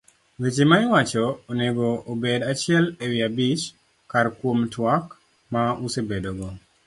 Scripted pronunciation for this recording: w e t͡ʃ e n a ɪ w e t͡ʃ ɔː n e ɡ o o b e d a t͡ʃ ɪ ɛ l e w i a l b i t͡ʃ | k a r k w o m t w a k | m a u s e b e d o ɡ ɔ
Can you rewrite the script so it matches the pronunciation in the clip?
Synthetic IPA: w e t͡ʃ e m a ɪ w a t͡ʃ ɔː n e ɡ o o b e d a t͡ʃ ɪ ɛ l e w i a b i t͡ʃ | k a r k w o m t w a k | m a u s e b e d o ɡ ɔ